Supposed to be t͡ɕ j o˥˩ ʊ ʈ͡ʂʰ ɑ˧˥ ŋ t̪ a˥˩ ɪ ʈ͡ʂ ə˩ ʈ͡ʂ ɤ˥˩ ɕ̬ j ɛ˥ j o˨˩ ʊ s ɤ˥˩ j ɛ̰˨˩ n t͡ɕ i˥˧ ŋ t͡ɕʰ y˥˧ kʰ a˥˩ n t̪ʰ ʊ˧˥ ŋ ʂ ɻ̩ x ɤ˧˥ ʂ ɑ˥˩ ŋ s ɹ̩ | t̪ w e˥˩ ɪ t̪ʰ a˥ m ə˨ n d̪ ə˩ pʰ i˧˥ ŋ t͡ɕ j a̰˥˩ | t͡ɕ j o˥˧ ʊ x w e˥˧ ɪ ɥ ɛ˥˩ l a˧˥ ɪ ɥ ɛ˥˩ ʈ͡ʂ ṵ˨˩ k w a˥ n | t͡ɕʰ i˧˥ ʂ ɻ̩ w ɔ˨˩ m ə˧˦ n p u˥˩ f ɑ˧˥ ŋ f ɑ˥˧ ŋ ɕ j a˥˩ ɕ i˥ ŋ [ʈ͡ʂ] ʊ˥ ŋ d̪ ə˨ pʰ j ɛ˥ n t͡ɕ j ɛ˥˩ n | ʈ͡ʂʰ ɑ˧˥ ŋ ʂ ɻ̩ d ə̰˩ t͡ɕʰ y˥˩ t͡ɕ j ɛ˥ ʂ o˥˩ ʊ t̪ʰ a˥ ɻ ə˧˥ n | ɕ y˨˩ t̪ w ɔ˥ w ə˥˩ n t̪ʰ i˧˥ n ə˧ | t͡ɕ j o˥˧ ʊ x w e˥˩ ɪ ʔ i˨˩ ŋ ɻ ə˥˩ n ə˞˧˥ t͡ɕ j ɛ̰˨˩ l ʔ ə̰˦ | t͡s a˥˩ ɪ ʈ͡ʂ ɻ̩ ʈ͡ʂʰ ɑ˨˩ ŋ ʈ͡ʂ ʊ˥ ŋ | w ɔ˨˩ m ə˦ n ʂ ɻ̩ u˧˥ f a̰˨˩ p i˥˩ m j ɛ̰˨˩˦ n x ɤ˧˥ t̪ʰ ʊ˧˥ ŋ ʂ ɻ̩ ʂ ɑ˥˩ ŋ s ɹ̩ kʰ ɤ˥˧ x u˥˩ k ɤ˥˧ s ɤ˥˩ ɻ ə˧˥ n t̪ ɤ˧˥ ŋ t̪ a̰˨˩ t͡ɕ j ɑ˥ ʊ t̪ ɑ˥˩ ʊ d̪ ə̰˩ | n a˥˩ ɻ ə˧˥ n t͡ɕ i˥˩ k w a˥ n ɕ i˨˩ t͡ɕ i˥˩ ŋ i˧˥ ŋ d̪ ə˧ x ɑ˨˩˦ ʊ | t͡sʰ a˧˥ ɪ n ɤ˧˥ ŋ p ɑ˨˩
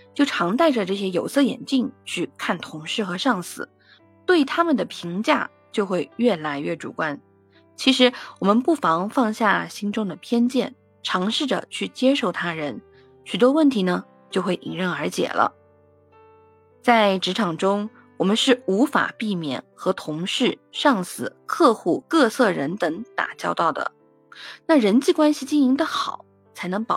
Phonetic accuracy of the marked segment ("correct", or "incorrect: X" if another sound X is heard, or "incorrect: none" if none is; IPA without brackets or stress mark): correct